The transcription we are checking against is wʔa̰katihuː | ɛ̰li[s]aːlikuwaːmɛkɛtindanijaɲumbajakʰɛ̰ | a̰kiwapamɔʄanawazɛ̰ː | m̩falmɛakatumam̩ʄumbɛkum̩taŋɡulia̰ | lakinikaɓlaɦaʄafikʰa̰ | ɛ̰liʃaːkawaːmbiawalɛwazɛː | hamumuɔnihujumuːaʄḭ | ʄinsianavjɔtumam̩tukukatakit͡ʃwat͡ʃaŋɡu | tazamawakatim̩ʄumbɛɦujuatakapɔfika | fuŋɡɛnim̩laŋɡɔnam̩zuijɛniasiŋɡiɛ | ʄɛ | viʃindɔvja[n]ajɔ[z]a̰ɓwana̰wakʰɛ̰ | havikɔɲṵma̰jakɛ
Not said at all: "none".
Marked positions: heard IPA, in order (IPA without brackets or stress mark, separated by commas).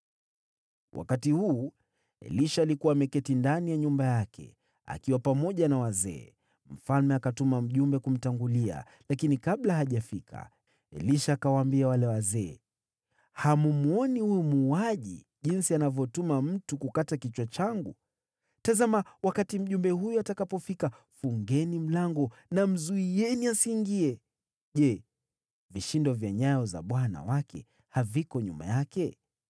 ʃ, ɲ, z